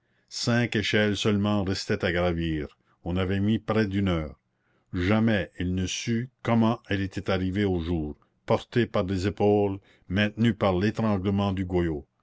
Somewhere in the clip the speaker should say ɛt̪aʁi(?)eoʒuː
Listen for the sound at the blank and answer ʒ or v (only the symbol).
v